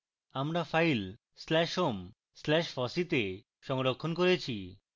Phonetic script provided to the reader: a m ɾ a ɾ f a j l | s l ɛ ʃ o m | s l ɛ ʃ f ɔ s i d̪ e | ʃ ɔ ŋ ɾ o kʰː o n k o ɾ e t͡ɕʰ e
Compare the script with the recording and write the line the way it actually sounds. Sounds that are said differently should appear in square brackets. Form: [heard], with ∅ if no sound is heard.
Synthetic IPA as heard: a m ɾ a [∅] f a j l | s l ɛ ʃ o m | s l ɛ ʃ f ɔ s i [t̪] e | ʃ ɔ ŋ ɾ o kʰː o n k o ɾ e t͡ɕʰ [i]